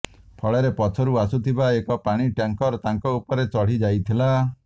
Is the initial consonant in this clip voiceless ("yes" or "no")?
yes